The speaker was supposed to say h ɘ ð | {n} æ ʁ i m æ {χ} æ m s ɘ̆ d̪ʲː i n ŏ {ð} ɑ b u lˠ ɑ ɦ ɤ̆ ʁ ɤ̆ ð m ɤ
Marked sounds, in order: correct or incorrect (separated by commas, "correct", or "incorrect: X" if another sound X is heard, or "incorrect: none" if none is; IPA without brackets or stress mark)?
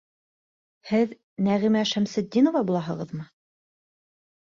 correct, incorrect: ʃ, incorrect: v